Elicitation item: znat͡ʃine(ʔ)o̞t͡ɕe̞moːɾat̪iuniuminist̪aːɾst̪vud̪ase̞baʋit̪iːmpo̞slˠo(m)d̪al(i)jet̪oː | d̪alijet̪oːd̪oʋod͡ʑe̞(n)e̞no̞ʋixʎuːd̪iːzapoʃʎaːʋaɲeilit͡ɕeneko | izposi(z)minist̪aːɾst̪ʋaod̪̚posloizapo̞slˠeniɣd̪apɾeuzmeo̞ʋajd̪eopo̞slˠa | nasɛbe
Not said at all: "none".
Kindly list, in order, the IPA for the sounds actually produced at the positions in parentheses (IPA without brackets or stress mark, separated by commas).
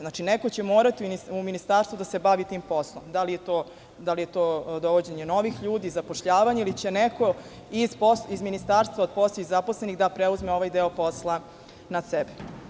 k, m, i, ɲ, z